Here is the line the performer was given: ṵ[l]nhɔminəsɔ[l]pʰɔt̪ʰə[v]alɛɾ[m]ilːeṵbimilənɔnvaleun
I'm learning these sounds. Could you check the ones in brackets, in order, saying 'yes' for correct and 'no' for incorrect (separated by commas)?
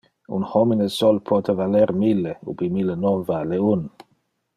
no, yes, yes, yes